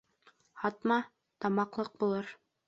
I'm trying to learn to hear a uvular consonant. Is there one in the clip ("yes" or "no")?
yes